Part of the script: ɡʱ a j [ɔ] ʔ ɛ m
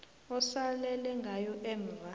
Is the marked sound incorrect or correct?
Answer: correct